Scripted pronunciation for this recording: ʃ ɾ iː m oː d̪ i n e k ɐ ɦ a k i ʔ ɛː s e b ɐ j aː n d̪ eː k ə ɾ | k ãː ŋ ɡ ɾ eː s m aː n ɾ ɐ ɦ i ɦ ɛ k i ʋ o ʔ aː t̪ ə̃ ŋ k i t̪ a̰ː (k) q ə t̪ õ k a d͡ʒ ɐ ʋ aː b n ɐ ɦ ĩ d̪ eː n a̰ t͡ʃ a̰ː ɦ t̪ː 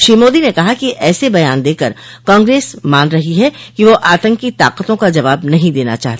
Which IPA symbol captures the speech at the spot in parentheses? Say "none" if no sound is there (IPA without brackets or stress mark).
none